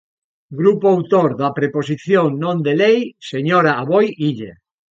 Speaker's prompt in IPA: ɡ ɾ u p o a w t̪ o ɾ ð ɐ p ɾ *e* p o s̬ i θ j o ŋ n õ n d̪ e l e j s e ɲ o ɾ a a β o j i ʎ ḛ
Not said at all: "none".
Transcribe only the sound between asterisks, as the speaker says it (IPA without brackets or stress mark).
e